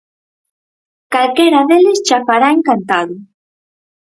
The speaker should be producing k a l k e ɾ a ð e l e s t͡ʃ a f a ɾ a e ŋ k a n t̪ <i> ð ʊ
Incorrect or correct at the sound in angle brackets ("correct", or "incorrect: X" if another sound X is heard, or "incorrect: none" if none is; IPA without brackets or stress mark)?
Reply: incorrect: a